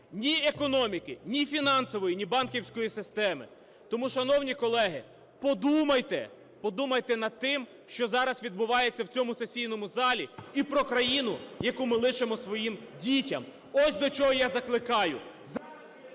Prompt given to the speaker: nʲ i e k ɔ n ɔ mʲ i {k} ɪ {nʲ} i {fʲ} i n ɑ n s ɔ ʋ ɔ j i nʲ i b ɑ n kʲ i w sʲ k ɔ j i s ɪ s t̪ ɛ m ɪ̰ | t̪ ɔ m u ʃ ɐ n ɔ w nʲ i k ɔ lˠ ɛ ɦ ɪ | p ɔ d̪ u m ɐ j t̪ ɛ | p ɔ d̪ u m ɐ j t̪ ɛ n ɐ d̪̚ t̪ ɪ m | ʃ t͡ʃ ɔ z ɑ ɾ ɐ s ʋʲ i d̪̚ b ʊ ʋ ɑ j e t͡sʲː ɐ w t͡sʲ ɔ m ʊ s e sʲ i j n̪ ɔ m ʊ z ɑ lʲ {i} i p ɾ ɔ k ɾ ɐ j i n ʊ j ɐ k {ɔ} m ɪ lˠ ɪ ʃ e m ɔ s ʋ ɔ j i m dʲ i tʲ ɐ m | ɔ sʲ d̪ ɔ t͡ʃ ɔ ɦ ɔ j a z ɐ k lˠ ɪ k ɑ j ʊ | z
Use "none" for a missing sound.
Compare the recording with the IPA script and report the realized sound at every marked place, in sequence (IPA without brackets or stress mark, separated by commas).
k, nʲ, fʲ, i, u